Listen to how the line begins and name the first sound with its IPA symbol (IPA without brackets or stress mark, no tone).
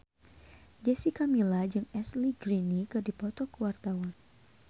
d͡ʒ